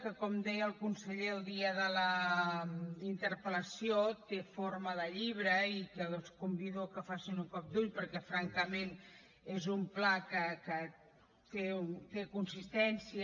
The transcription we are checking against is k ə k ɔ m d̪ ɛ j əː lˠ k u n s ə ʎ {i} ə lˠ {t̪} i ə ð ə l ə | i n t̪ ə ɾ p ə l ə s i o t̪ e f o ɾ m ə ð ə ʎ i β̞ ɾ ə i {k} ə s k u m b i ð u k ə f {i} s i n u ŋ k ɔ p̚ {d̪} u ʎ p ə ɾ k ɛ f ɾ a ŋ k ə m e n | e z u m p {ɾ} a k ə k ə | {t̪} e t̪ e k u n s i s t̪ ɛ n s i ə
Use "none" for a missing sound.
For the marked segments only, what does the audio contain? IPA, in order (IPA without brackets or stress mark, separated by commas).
e, d̪, k, a, d̪, l, t̪